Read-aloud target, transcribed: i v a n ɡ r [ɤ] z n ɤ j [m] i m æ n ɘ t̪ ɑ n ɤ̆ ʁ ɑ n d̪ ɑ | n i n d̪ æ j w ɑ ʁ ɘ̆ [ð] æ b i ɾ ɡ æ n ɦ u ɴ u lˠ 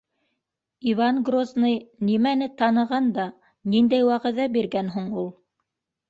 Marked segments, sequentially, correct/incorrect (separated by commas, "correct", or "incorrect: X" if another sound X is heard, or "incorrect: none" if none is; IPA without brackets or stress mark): incorrect: o, incorrect: n, correct